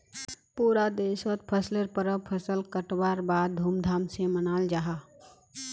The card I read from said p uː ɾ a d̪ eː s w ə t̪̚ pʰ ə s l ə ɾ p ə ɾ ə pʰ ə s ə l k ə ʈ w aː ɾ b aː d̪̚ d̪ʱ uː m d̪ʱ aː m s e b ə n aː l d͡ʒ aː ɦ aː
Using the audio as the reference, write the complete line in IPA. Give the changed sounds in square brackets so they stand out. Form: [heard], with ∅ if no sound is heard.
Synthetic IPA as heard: p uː ɾ a d̪ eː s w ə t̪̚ pʰ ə s l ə ɾ p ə ɾ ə pʰ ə s ə l k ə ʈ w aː ɾ b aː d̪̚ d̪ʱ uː m d̪ʱ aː m s e [m] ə n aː l d͡ʒ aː ɦ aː